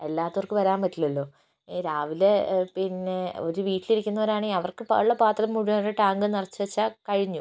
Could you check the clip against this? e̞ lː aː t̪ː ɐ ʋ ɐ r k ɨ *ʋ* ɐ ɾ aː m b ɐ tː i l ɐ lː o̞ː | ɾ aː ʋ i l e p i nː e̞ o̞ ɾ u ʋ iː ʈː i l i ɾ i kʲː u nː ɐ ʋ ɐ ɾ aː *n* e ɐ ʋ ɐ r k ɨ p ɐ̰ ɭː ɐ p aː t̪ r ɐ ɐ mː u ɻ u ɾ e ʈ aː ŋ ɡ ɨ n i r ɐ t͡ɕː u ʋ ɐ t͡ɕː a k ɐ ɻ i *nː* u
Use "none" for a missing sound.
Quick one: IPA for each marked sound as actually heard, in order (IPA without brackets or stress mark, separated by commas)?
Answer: ʋ, ɳ, ɲː